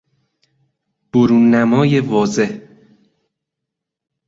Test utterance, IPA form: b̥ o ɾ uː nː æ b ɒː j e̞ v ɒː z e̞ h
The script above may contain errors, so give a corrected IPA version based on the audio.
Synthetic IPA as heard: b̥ o ɾ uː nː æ m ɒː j e̞ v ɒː z e̞ h